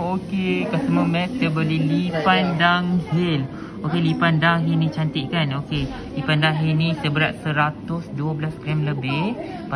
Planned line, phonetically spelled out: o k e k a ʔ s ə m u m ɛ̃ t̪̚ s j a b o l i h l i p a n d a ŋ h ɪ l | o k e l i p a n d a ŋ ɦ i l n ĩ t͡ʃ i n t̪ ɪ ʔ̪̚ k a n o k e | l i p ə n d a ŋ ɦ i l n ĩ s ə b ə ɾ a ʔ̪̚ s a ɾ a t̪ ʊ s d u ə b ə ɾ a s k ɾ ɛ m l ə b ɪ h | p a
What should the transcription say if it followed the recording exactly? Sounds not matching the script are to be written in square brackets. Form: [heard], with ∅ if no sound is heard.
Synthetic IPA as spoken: o k e k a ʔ s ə m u m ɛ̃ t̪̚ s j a b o l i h l i p a n d a ŋ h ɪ l | o k e l i p a n d a ŋ ɦ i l n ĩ t͡ʃ [a] n t̪ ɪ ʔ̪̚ k a n o k e | l i p [a] n d a ŋ ɦ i l n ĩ s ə b ə ɾ a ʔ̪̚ s [ə] ɾ a t̪ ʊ s d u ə b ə [l] a s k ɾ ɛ m l ə b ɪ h | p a

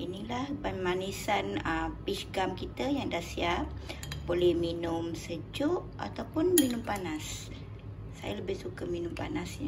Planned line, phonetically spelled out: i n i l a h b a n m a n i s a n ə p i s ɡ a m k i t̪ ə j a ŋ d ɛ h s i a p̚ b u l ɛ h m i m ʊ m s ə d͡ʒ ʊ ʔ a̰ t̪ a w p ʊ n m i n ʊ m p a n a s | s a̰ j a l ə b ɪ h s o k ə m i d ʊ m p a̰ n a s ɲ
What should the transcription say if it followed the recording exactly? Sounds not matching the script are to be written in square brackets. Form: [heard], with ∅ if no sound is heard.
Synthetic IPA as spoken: i n i l a h b a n m a n i s a n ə p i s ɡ a m k i t̪ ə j a ŋ d [a] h s i a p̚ b [o] l ɛ h m i [n] ʊ m s ə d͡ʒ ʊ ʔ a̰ t̪ a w p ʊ n m i n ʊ m p a n a s | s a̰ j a l ə b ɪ h s [u] k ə m i [n] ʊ m p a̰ n a s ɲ

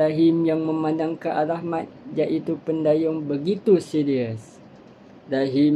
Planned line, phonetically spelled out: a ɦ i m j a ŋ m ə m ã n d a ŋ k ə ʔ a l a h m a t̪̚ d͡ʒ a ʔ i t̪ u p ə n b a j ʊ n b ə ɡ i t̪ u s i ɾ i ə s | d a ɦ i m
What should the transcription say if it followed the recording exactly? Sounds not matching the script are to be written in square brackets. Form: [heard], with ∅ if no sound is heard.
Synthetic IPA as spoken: a ɦ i m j a ŋ m ə m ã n d a ŋ k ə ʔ a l a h m a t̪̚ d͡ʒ a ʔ i t̪ u p ə n [d] a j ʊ [ŋ] b ə ɡ i t̪ u s i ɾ i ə s | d a ɦ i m

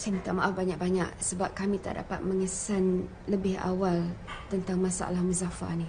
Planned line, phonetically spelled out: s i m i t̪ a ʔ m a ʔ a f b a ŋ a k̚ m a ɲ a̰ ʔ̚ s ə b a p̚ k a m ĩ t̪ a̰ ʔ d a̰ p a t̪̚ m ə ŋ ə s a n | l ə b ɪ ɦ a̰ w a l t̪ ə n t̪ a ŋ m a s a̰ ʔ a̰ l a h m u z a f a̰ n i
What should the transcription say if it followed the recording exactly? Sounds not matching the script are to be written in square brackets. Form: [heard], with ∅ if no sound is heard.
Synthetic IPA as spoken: s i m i t̪ a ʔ m a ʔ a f b a [ɲ] a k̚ [b] a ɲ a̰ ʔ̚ s ə b a p̚ k a m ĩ t̪ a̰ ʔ d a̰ p a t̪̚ m ə ŋ ə s a n | l ə b ɪ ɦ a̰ w a l t̪ ə n t̪ a ŋ m a s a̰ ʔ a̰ l a h m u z a f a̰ n i

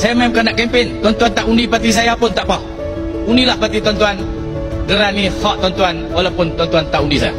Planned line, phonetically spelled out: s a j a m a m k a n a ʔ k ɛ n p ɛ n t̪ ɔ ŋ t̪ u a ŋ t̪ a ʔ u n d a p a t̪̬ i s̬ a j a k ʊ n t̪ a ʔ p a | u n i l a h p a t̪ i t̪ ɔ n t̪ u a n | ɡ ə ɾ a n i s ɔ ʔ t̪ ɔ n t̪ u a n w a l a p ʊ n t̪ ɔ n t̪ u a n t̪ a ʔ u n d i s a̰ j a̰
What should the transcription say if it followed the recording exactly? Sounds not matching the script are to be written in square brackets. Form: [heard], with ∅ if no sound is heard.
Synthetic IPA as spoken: s a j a m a m k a n a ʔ k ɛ [m] p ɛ n t̪ ɔ [n] t̪ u a [n] t̪ a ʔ u n d [i] p a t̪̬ i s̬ a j a [p] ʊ n t̪ a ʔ p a | u n i l a h p a t̪ i t̪ ɔ n t̪ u a n | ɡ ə ɾ a n i [h] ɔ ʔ t̪ ɔ n t̪ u a n w a l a p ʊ n t̪ ɔ n t̪ u a n t̪ a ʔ u n d i s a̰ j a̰

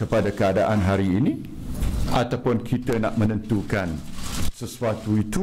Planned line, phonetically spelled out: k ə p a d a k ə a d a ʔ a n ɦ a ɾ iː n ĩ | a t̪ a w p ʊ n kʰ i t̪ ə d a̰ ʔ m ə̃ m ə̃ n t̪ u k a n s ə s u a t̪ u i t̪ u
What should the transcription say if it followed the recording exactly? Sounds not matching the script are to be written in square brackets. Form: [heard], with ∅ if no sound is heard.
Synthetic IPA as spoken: k ə p a d a k ə a d a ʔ a n ɦ a ɾ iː n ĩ | a t̪ a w p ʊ n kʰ i t̪ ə [n] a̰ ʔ m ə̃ [n] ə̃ n t̪ u k a n s ə s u a t̪ u i t̪ u

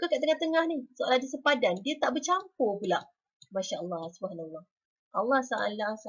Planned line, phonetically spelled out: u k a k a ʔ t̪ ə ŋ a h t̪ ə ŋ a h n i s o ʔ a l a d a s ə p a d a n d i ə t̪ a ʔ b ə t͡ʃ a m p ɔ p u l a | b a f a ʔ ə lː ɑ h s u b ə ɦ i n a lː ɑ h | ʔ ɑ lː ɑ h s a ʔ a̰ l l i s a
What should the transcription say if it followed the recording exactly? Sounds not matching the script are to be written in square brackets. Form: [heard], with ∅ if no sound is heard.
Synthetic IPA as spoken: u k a k a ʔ t̪ ə ŋ a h t̪ ə ŋ a h n i s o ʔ a l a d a s ə p a d a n d i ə t̪ a ʔ b ə t͡ʃ a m p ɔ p u l a | [m] a [ʃ] a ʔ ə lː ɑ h s u b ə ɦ [a] n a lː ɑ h | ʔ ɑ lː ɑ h s a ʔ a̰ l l [a] s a

